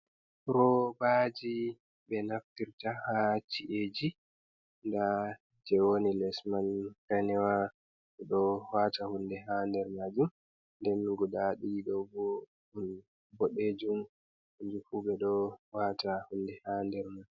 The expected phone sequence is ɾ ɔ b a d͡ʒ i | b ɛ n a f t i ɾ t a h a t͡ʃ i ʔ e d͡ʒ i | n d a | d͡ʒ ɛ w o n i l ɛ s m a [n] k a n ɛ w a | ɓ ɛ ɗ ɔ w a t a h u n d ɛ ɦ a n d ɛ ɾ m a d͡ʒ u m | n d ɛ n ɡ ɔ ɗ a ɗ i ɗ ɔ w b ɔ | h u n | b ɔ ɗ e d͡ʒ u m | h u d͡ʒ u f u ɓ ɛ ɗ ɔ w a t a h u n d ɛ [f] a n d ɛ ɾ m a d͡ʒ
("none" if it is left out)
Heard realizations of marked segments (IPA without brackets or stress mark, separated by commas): n, h